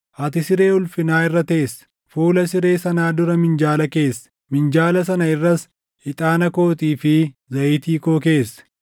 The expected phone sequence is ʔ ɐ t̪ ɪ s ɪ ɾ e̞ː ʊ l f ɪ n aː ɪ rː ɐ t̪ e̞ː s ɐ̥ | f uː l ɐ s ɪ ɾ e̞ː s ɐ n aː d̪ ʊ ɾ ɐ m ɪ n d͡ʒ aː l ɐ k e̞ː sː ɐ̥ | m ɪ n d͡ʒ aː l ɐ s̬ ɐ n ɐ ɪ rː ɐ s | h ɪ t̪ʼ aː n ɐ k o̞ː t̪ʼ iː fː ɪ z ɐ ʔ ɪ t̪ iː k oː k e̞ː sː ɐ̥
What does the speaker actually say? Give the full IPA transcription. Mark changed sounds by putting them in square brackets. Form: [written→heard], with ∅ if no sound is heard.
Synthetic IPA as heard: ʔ ɐ t̪ ɪ s ɪ ɾ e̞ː ʊ l f ɪ n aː ɪ rː ɐ t̪ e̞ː s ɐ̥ | f uː l ɐ s ɪ ɾ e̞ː s ɐ n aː d̪ ʊ ɾ ɐ m ɪ n d͡ʒ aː l ɐ k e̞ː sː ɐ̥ | m ɪ n d͡ʒ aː l ɐ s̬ ɐ n ɐ ɪ rː ɐ s | h ɪ t̪ʼ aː n ɐ k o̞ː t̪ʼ iː [fː→f] ɪ z ɐ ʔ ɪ t̪ iː k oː k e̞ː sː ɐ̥